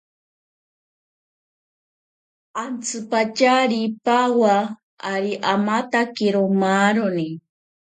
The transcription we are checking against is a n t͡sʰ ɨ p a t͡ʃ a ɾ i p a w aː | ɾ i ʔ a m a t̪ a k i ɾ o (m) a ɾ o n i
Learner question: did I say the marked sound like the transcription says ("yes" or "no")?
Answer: yes